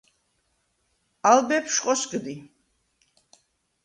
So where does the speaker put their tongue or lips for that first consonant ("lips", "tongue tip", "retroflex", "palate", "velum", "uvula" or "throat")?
tongue tip